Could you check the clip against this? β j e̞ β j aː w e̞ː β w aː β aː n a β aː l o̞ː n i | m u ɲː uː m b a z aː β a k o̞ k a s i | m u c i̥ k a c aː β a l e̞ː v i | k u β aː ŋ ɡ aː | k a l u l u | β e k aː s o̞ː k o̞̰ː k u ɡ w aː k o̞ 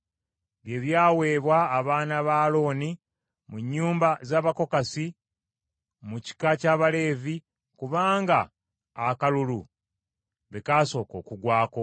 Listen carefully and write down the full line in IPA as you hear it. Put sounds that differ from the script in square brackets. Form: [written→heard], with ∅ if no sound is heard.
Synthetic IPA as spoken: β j e̞ β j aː w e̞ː β w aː β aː n a β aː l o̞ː n i | m u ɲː uː m b a z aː β a k o̞ k a s i | m u c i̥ k a c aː β a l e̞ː v i | k u β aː ŋ ɡ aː | k a l u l u | β e k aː s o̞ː k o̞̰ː k u ɡ w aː k o̞